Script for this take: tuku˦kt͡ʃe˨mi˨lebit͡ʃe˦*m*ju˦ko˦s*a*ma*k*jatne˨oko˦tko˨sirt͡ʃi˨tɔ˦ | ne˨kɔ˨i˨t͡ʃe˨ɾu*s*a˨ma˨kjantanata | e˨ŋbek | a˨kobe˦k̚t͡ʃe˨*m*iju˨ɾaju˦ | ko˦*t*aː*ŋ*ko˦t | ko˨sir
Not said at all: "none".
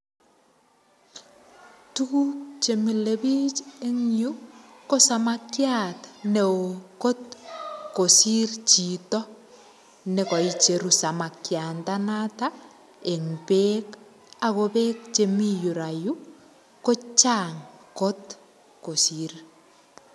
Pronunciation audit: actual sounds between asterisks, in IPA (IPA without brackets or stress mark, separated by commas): ŋ, a, k, s, m, t͡ʃ, ŋ